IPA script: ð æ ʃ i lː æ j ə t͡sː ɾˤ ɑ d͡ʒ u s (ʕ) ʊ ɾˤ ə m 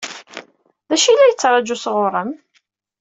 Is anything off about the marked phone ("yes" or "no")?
yes